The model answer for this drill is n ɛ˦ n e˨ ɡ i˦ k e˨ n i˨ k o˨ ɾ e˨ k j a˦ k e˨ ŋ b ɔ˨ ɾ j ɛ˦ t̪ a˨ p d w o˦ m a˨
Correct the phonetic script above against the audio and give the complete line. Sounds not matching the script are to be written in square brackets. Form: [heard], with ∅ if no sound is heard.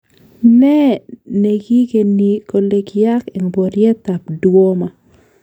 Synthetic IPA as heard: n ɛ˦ n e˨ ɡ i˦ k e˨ n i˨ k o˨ [l] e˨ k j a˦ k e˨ ŋ b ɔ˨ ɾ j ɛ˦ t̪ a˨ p d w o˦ m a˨